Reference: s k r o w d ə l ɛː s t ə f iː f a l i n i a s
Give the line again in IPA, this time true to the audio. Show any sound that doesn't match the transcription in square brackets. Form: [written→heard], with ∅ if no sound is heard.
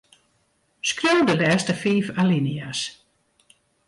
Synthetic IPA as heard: s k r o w d ə l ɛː s t ə f iː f a l i n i a s